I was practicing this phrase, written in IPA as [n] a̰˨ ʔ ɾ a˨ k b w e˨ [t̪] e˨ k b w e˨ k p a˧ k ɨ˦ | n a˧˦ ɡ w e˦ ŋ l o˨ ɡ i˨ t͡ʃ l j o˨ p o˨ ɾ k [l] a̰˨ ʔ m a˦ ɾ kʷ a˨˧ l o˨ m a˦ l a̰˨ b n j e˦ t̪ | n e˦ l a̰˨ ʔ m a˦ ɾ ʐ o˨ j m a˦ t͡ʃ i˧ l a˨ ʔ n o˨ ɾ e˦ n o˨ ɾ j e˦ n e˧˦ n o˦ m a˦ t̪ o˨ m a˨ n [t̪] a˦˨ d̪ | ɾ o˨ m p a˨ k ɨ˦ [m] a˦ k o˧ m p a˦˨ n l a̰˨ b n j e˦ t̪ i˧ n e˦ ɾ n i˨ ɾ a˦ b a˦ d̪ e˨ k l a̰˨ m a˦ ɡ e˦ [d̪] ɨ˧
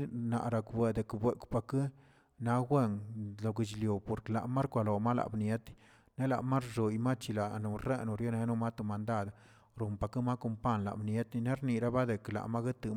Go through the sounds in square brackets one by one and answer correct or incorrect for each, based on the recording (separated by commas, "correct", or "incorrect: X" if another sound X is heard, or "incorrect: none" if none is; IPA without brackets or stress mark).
correct, incorrect: d̪, correct, incorrect: d̪, correct, incorrect: t̪